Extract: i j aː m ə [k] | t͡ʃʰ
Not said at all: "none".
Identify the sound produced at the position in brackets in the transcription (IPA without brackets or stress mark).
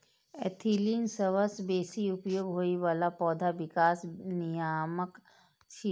k